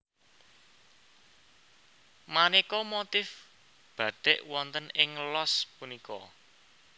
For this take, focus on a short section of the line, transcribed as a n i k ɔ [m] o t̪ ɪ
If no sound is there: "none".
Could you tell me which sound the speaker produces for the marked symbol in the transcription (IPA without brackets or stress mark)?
m